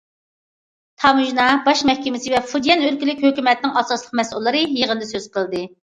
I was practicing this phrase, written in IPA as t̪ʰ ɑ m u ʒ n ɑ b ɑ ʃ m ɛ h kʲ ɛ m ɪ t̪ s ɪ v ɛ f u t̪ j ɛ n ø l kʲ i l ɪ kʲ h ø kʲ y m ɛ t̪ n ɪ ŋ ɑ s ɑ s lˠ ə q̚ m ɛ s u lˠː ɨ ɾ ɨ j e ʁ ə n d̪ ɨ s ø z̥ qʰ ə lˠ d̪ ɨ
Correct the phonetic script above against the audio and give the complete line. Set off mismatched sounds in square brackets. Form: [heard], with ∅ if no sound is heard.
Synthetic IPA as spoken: t̪ʰ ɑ m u ʒ n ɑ b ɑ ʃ m ɛ h kʲ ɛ m ɪ [∅] s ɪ v ɛ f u [d̪] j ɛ n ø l kʲ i l ɪ kʲ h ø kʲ y m ɛ t̪ n ɪ ŋ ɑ s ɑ s lˠ ə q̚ m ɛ s u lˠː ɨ ɾ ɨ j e ʁ ə n d̪ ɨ s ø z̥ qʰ ə lˠ d̪ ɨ